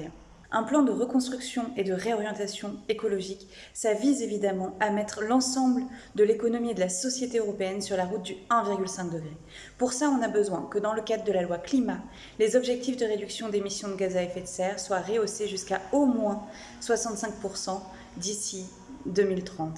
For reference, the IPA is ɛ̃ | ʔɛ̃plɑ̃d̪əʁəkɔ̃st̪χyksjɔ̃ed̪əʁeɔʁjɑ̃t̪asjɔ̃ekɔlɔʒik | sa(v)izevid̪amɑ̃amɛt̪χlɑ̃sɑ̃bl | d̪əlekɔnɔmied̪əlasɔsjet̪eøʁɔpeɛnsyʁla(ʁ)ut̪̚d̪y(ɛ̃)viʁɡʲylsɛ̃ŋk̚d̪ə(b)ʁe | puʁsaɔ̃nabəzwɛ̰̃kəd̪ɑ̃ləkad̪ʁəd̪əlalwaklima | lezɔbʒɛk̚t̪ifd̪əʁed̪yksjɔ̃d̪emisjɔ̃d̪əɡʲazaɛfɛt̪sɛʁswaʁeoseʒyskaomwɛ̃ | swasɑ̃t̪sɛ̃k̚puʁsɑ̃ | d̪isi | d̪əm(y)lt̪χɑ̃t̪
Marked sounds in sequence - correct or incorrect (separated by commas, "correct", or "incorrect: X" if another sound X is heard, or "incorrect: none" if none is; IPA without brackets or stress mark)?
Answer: correct, correct, correct, incorrect: ɡ, incorrect: i